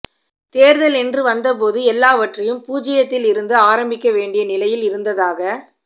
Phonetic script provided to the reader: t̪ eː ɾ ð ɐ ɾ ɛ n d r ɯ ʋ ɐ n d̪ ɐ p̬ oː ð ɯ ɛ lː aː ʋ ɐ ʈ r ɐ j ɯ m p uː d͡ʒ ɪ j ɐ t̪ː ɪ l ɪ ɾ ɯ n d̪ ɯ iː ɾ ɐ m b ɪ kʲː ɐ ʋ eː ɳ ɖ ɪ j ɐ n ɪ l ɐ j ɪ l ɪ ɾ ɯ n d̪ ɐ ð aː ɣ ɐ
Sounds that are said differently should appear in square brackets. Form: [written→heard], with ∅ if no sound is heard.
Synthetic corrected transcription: t̪ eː ɾ ð ɐ [ɾ→l] ɛ n d r ɯ ʋ ɐ n d̪ ɐ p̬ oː ð ɯ ɛ lː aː ʋ ɐ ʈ r ɐ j ɯ m p uː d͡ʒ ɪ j ɐ t̪ː ɪ l ɪ ɾ ɯ n d̪ ɯ [iː→aː] ɾ ɐ m b ɪ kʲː ɐ ʋ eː ɳ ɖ ɪ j ɐ n ɪ l ɐ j ɪ l ɪ ɾ ɯ n d̪ ɐ ð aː ɣ ɐ